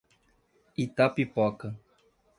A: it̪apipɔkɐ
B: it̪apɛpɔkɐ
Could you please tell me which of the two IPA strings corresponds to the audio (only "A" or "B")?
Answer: A